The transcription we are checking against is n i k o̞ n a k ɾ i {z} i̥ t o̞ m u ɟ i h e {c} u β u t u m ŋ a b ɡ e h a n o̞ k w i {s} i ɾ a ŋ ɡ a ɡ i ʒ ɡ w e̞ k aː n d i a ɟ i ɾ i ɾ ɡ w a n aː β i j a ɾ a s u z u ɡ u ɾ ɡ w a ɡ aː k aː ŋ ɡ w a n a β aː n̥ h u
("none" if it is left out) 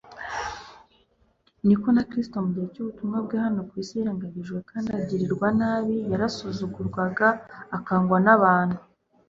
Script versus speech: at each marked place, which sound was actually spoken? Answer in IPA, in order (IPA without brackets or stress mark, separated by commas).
s, c, s